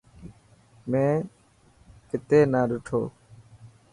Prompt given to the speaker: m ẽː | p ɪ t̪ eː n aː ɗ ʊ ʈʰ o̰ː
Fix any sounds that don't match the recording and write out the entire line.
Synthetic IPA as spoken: m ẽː | k ɪ t̪ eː n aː ɗ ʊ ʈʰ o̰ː

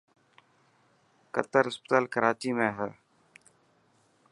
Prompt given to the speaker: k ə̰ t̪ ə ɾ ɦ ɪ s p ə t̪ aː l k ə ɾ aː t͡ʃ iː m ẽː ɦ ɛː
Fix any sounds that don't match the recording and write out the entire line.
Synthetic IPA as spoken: k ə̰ t̪ ə ɾ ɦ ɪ s p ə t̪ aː l k ə ɾ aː t͡ʃ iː m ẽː ɦ ɛː

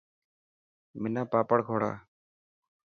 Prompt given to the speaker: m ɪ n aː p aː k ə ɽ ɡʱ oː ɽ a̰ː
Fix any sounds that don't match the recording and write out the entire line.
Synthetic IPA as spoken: m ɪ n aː p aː p ə ɽ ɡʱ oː ɽ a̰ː

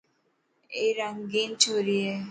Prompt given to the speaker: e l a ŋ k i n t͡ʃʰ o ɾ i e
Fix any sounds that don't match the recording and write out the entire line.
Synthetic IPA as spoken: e ɾ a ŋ ɡ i n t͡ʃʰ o ɾ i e

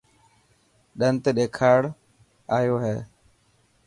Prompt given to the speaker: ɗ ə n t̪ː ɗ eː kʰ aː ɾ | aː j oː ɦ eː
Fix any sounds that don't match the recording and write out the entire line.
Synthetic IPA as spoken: ɗ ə n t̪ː ɗ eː kʰ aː ɽ | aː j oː ɦ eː

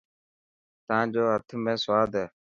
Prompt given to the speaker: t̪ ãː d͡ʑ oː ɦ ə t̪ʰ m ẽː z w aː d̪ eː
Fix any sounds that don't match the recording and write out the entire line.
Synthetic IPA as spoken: t̪ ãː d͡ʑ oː ɦ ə t̪ʰ m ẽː s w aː d̪ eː

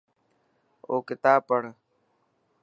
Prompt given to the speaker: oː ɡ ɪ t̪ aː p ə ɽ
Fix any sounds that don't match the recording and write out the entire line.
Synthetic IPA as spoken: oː k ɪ t̪ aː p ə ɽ

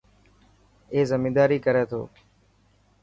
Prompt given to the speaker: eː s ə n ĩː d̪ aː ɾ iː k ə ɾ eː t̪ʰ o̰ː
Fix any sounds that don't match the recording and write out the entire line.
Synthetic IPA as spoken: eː z ə m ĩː d̪ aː ɾ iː k ə ɾ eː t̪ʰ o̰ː

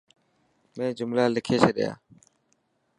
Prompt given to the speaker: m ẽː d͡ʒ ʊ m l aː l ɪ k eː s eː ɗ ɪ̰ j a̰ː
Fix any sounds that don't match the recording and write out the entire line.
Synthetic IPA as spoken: m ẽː d͡ʒ ʊ m l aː l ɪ kʰ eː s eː ɗ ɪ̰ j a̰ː

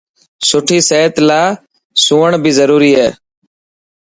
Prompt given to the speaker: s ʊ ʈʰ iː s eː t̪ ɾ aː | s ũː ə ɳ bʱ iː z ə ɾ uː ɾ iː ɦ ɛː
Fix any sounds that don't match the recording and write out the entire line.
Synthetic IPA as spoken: s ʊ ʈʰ iː s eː t̪ l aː | s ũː ə ɳ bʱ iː z ə ɾ uː ɾ iː ɦ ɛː

